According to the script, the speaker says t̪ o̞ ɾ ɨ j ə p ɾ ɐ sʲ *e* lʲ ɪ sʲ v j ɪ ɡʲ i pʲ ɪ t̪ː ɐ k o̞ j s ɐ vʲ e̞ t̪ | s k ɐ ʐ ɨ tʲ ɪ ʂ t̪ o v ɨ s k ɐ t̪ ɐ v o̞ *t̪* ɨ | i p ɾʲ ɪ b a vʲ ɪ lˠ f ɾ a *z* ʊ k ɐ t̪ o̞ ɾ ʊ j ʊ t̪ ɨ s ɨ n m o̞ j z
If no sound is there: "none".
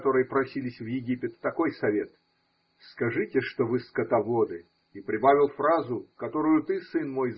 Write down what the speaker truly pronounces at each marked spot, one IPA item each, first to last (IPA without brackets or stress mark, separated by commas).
i, d̪, z